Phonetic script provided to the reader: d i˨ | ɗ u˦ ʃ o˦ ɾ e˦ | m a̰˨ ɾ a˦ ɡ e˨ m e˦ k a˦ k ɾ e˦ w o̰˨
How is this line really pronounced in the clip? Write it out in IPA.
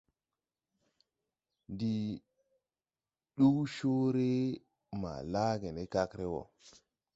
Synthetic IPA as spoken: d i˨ | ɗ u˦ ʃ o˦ ɾ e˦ | m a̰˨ l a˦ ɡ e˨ n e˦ k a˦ k ɾ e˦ w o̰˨